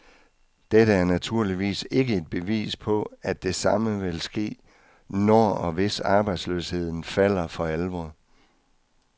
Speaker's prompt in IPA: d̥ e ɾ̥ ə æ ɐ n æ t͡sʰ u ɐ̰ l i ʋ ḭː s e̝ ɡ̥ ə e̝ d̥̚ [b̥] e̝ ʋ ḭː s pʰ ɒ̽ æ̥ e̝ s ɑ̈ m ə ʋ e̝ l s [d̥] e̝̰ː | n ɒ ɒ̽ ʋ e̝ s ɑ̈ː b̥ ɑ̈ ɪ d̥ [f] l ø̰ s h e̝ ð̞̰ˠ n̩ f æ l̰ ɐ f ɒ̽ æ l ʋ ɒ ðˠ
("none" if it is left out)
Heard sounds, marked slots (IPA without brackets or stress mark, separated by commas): b̥, ɡ̥, s